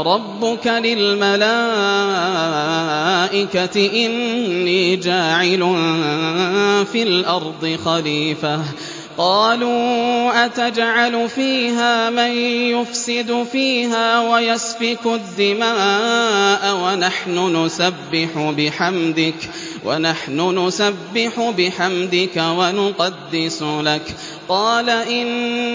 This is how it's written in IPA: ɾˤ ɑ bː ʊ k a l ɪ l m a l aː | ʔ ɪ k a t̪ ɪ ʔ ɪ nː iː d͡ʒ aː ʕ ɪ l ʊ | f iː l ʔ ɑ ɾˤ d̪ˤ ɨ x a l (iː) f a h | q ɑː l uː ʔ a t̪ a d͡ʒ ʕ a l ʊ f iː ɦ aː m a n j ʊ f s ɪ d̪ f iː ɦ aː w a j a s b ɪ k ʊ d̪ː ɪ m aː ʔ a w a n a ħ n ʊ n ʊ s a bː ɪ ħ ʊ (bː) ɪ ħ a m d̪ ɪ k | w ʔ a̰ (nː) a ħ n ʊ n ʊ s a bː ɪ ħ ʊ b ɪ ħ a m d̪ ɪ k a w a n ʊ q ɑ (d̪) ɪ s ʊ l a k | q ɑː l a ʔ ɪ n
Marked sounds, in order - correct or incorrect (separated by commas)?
correct, incorrect, incorrect, incorrect